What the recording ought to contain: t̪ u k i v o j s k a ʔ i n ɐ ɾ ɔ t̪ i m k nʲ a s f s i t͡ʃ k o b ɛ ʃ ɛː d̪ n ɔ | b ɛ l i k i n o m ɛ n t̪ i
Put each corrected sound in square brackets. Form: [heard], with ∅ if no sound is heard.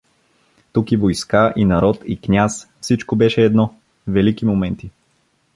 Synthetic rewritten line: t̪ u k i v o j s k a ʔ i n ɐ ɾ ɔ t̪ i [∅] k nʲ a s f s i t͡ʃ k o b ɛ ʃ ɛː d̪ n ɔ | [v] ɛ l i k i [m] o m ɛ n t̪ i